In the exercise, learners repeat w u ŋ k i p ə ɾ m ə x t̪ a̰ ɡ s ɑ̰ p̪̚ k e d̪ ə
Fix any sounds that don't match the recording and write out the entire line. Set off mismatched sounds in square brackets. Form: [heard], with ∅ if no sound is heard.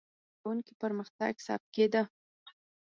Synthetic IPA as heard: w u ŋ k i p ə ɾ m ə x t̪ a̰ ɡ s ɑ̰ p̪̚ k e d̪ ə